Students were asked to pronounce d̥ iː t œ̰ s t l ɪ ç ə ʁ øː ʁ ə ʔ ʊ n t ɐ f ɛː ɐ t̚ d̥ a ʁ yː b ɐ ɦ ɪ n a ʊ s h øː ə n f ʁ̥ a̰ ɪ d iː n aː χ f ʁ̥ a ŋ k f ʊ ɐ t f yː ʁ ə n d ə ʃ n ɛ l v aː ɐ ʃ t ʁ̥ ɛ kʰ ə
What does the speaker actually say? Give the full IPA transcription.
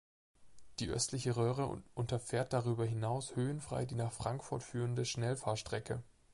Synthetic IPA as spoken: d̥ iː ʔ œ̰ s t l ɪ ç ə ʁ øː ʁ ə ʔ ʊ n t ɐ f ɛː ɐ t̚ d̥ a ʁ yː b ɐ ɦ ɪ n a ʊ s h øː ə n f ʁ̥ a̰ ɪ d iː n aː χ f ʁ̥ a ŋ k f ʊ ɐ t f yː ʁ ə n d ə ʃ n ɛ l f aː ɐ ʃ t ʁ̥ ɛ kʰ ə